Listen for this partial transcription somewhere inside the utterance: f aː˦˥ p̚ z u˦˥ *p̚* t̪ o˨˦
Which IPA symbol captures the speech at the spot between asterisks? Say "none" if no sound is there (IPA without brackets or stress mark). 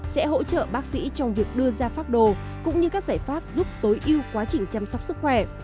p̚